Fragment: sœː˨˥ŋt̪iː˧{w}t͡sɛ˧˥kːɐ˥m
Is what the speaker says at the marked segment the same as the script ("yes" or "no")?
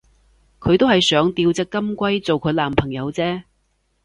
yes